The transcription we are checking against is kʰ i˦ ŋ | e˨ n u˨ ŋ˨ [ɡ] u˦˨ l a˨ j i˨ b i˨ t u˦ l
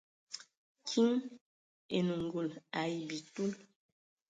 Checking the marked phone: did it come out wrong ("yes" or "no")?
no